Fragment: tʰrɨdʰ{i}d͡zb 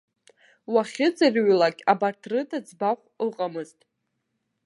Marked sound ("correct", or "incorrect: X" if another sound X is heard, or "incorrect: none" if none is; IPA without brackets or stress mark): incorrect: a